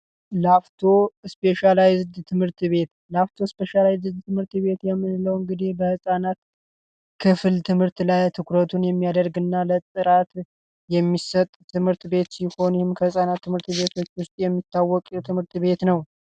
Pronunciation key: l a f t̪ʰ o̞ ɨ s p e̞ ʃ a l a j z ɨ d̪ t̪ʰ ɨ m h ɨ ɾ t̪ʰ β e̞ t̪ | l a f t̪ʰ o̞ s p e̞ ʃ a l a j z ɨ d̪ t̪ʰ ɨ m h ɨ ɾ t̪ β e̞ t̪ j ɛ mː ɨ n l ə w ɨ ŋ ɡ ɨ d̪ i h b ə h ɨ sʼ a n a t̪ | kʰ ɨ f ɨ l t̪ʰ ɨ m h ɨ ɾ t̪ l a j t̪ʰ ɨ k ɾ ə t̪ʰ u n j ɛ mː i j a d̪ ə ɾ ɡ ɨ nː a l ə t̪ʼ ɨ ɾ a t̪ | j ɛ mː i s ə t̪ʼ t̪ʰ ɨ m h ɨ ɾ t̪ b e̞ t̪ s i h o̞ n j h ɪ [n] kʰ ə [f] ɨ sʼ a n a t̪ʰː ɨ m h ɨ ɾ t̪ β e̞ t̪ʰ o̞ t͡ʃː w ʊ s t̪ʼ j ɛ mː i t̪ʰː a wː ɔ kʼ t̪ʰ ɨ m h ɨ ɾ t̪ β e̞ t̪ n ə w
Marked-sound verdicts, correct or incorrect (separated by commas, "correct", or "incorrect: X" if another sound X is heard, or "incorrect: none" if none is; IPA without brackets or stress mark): incorrect: m, incorrect: h